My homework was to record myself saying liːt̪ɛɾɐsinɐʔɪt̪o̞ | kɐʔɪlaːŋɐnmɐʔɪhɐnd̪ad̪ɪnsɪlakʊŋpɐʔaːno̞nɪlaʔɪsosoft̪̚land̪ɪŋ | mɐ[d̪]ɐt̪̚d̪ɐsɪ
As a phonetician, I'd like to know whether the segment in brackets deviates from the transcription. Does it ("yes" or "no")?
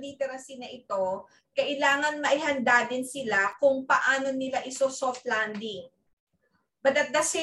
no